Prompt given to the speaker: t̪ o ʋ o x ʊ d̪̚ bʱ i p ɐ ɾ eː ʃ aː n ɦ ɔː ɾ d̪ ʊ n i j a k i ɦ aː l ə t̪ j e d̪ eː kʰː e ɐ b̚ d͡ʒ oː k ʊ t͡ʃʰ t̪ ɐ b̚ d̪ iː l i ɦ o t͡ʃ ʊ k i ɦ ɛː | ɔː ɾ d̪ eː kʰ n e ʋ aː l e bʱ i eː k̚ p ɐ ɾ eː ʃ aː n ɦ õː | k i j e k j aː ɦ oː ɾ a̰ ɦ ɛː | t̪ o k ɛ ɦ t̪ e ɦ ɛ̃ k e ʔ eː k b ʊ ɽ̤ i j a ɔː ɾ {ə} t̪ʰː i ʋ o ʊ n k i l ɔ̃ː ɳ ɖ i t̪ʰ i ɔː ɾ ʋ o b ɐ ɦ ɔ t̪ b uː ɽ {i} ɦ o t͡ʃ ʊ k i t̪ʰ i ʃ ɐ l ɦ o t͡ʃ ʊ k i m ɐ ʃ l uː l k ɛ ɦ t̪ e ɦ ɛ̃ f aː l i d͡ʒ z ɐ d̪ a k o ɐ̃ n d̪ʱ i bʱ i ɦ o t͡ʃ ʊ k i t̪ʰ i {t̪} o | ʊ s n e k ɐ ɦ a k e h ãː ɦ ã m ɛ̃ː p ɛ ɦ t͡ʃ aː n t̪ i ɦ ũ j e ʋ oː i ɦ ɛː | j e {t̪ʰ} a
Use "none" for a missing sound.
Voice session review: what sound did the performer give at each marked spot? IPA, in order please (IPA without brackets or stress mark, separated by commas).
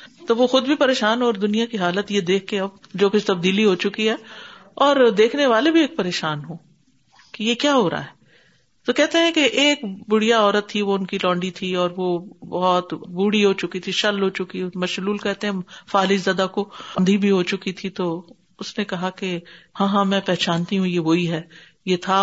ə, i, t̪, t̪ʰ